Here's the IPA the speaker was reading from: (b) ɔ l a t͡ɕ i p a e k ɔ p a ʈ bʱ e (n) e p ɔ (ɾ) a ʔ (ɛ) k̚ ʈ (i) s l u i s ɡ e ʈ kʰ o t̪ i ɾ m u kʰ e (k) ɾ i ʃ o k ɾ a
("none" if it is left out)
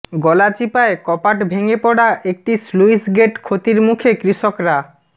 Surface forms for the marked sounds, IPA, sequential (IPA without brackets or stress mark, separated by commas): ɡ, ŋ, ɽ, e, i, k